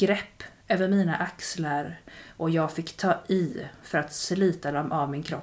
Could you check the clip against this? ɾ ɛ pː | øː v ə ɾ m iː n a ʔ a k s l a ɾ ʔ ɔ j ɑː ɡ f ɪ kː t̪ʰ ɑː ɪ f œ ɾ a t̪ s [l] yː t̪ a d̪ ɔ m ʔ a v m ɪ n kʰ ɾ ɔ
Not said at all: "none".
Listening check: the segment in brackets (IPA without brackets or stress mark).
l